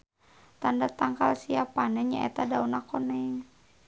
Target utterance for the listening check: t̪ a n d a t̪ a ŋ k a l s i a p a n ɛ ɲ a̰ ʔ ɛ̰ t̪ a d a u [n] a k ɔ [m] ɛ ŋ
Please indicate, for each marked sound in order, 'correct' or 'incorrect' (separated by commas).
correct, incorrect